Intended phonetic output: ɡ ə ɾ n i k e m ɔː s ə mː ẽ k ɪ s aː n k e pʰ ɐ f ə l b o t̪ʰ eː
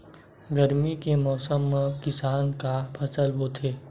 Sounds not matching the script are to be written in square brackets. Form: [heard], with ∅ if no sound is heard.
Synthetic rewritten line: ɡ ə ɾ [m] i k e m ɔː s ə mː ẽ k ɪ s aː n k [a] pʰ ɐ [s] ə l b o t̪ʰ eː